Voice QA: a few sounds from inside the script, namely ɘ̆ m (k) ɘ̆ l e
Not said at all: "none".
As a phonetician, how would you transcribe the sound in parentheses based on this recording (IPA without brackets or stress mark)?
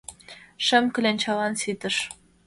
k